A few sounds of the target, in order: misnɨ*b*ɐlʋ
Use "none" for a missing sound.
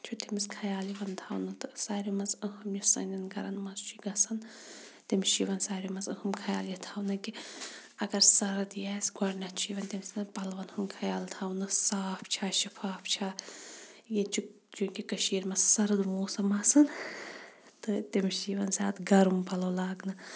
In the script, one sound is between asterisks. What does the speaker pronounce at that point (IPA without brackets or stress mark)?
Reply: p